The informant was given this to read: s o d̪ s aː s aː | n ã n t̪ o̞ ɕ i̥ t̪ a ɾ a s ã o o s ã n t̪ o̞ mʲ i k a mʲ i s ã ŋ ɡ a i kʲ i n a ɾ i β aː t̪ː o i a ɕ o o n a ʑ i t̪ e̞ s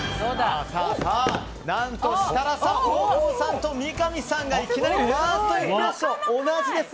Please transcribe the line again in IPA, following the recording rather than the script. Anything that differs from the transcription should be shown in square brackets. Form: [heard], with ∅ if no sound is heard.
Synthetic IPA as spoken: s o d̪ s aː s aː | n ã n t̪ o̞ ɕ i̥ t̪ a ɾ a s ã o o s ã n t̪ o̞ mʲ i k a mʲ i s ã ŋ ɡ a i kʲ i n a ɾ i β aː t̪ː o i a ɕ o o n a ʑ i [d̪] e̞ s